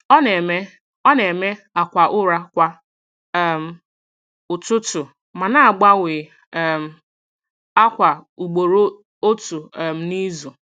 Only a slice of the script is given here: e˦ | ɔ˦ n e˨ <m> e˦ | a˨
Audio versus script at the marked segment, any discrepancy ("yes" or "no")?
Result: no